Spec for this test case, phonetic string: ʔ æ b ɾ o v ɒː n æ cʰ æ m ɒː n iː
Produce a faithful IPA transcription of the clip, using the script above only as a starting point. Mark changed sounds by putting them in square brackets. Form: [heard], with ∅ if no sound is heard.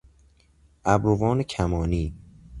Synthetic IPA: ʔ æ b ɾ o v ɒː n [e] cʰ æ m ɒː n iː

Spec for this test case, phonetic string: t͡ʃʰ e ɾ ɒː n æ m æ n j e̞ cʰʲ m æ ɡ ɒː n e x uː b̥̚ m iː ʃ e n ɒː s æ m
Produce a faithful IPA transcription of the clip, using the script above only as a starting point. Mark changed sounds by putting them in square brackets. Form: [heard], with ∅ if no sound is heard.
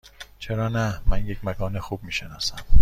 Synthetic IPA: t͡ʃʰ e ɾ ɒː n æ m æ n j e̞ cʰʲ m æ ɡ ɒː n e x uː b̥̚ m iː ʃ e n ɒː s æ m

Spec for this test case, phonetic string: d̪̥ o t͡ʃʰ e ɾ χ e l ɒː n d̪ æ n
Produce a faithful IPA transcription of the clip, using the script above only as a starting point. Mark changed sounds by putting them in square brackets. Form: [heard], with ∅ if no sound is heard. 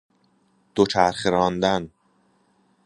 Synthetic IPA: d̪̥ o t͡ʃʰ [æ] ɾ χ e [ɾ] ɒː n d̪ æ n

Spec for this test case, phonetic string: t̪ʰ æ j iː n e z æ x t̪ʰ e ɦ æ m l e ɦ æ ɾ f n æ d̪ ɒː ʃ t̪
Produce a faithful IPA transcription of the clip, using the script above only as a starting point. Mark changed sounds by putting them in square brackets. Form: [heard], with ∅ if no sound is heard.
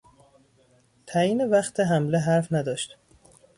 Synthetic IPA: t̪ʰ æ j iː n e [v] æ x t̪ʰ e ɦ æ m l e ɦ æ ɾ f n æ d̪ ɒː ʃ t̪

